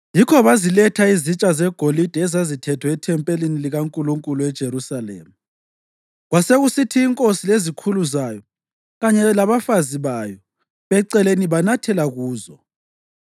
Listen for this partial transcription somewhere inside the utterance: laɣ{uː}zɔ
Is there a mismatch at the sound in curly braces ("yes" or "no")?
no